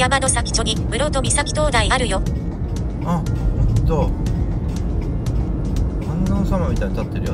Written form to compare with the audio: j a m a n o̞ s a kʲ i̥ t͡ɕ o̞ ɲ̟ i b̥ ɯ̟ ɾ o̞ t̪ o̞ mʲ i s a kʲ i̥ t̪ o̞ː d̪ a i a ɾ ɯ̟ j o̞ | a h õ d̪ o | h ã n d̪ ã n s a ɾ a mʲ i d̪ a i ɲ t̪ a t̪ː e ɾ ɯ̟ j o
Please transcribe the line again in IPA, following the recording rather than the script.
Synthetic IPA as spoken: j a m a n o̞ s a kʲ i̥ t͡ɕ o̞ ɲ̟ i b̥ ɯ̟ ɾ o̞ t̪ o̞ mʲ i s a kʲ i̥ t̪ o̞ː d̪ a i a ɾ ɯ̟ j o̞ | a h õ t̪ o | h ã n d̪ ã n s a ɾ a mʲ i t̪ a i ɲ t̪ a t̪ː e ɾ ɯ̟ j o